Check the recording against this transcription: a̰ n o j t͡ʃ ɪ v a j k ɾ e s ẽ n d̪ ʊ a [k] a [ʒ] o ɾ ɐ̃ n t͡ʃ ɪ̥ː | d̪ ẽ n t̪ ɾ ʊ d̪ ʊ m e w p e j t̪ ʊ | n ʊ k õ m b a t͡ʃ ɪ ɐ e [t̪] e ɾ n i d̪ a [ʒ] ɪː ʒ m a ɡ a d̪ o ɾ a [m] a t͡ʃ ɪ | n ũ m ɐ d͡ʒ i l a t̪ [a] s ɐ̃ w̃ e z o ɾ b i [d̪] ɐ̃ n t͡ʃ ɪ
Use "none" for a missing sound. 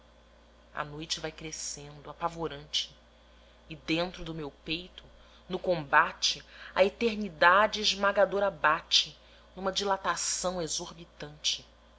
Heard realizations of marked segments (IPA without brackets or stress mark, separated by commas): p, v, t̪, d͡ʒ, b, a, t̪